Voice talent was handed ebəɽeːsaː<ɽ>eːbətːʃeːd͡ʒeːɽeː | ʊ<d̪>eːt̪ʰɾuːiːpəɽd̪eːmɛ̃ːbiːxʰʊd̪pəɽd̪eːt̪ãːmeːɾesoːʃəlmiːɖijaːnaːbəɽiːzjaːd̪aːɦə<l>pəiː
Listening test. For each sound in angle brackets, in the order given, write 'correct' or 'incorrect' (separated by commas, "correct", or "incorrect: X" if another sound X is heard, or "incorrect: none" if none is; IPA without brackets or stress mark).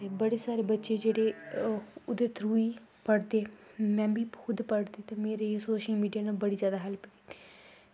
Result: incorrect: ɾ, correct, correct